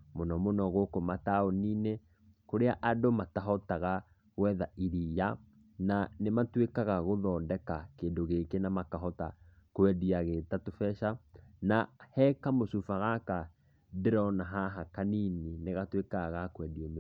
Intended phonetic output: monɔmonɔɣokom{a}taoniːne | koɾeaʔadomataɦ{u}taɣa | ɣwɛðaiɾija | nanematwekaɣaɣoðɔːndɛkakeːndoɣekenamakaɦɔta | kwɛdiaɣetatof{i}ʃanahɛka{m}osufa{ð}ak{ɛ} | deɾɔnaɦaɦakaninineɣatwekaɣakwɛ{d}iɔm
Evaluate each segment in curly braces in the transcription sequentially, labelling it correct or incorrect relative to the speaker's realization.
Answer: correct, incorrect: ɔ, incorrect: ɛ, correct, incorrect: ɣ, incorrect: a, correct

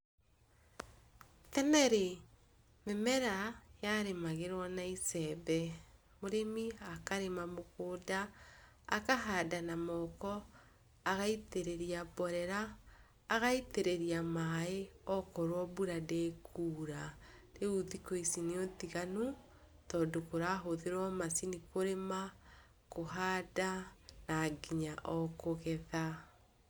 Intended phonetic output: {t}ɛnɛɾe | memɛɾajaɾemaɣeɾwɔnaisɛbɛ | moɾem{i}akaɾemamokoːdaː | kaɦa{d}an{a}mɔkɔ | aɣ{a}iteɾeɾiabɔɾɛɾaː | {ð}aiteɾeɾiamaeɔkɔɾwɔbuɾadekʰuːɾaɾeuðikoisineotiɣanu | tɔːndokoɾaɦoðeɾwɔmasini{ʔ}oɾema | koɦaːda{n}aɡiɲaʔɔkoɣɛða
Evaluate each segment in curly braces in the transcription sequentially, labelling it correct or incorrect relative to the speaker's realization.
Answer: correct, correct, correct, correct, correct, incorrect: ɣ, incorrect: k, correct

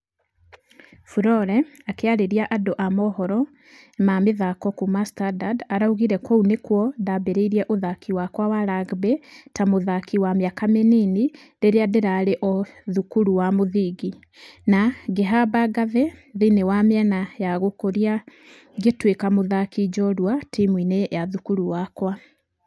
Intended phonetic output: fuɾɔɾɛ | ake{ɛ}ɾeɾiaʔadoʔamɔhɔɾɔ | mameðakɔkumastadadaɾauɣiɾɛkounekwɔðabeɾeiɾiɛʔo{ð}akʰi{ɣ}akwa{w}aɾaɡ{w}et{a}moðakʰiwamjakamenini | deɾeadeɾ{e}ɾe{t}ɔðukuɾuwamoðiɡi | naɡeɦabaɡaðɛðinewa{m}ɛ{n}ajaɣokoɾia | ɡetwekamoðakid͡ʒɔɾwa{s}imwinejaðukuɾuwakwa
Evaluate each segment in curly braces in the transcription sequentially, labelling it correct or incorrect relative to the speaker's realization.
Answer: incorrect: a, correct, incorrect: w, correct, incorrect: b, correct, incorrect: a, incorrect: ʔ, correct, correct, incorrect: t

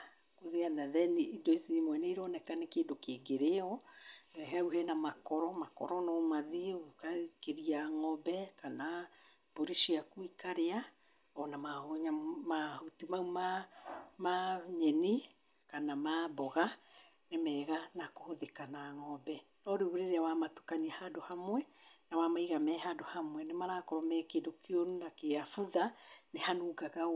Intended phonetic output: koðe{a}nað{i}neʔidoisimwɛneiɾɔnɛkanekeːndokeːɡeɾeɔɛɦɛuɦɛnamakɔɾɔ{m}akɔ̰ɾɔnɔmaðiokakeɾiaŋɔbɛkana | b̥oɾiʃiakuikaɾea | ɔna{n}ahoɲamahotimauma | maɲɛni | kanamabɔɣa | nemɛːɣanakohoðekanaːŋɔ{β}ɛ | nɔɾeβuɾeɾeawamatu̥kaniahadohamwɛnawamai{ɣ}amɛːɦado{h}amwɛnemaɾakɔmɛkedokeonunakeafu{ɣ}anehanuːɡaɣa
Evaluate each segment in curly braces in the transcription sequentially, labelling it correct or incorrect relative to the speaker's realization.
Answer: correct, incorrect: ɛ, correct, incorrect: m, incorrect: b, correct, correct, incorrect: ð

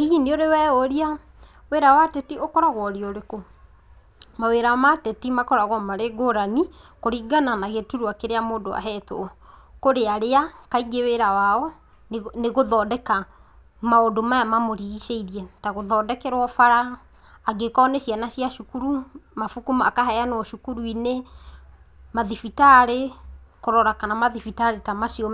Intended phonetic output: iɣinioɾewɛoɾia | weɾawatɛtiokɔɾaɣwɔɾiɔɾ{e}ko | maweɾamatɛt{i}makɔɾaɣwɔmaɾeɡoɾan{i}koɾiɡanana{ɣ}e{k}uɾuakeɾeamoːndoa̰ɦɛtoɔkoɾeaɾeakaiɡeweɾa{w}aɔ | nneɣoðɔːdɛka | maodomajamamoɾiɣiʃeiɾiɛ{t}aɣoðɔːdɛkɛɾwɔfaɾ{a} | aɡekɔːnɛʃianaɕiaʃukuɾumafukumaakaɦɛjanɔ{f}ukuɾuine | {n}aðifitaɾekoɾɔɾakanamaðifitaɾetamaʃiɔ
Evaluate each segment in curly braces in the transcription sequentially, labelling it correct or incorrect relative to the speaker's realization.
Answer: correct, correct, correct, correct, incorrect: t, correct, correct, correct, incorrect: ʃ, incorrect: m

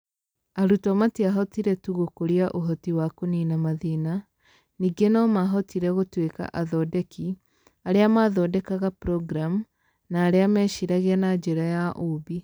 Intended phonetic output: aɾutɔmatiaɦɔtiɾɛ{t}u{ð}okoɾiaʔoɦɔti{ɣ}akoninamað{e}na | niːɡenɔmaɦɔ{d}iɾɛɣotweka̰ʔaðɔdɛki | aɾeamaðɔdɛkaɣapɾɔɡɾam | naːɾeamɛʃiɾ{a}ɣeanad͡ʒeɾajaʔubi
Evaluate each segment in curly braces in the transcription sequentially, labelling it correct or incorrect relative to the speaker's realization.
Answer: correct, incorrect: ɣ, incorrect: w, incorrect: i, incorrect: t, correct

